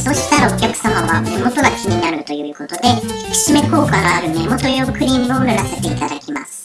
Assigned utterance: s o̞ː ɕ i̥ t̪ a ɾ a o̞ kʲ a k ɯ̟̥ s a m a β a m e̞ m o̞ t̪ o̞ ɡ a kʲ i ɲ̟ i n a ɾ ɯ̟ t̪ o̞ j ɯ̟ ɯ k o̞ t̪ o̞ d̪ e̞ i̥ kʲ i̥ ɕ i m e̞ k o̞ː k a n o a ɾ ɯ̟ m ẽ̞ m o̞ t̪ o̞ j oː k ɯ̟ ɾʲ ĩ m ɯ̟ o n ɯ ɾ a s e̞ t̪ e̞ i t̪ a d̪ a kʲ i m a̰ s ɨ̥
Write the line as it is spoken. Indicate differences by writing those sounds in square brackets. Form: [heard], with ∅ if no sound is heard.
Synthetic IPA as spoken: s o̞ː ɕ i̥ t̪ a ɾ a o̞ kʲ a k ɯ̟̥ s a m a β a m e̞ m o̞ t̪ o̞ ɡ a kʲ i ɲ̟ i n a ɾ ɯ̟ t̪ o̞ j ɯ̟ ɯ k o̞ t̪ o̞ d̪ e̞ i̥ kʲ i̥ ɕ i m e̞ k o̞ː k a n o a ɾ ɯ̟ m [e̞] m o̞ t̪ o̞ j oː k ɯ̟ ɾʲ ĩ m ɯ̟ o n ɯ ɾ a s e̞ t̪ e̞ i t̪ a d̪ a kʲ i m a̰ s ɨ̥

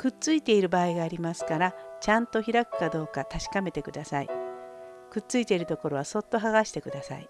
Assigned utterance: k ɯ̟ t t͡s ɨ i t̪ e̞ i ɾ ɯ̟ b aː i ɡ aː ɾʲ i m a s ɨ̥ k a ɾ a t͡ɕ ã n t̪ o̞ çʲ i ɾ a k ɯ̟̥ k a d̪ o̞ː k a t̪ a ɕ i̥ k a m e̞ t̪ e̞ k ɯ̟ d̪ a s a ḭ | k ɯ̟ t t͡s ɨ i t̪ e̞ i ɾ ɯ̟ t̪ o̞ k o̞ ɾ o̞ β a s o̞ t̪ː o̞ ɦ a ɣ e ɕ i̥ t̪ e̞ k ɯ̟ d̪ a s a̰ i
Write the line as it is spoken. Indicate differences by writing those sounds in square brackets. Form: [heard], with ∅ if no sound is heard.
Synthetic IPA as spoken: k ɯ̟ t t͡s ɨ i t̪ e̞ i ɾ ɯ̟ b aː i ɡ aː ɾʲ i m a s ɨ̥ k a ɾ a t͡ɕ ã n t̪ o̞ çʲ i ɾ a k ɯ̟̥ k a d̪ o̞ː k a t̪ a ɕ i̥ k a m e̞ t̪ e̞ k ɯ̟ d̪ a s a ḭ | k ɯ̟ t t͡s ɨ i t̪ e̞ i ɾ ɯ̟ t̪ o̞ k o̞ ɾ o̞ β a s o̞ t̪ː o̞ ɦ a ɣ [a] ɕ i̥ t̪ e̞ k ɯ̟ d̪ a s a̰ i

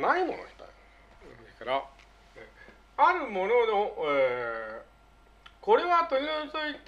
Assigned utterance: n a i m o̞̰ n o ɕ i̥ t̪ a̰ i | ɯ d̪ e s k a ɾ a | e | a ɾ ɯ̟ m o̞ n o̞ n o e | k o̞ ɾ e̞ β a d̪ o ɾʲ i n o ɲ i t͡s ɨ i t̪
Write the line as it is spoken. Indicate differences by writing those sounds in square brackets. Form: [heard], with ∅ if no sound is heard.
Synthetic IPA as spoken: n a i m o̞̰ n o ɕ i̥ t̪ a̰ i | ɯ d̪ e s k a ɾ a | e | a ɾ ɯ̟ m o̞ n o̞ n o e | k o̞ ɾ e̞ β a [t̪] o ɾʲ i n o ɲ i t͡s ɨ i t̪

